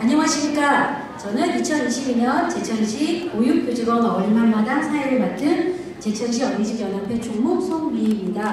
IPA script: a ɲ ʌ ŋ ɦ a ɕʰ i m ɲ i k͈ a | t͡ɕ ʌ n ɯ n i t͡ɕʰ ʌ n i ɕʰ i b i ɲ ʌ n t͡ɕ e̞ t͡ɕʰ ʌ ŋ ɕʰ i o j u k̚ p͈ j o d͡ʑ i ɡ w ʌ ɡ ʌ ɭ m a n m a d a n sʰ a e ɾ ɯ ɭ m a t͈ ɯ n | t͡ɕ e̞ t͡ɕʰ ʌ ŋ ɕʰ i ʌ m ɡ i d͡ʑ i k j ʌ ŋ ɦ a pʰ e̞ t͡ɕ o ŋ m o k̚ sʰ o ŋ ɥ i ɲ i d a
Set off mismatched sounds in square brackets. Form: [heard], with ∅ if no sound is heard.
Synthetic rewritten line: a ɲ ʌ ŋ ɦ a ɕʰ i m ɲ i k͈ a | t͡ɕ ʌ n ɯ n i t͡ɕʰ ʌ n i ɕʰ i b i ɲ ʌ n t͡ɕ e̞ t͡ɕʰ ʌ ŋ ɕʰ i o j u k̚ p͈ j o d͡ʑ i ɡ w ʌ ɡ ʌ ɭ m a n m a d a n sʰ a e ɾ ɯ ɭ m a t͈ ɯ n | t͡ɕ e̞ t͡ɕʰ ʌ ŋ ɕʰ i ʌ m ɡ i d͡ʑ i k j ʌ [n] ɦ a pʰ e̞ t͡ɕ o ŋ m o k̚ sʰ o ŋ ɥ i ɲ i d a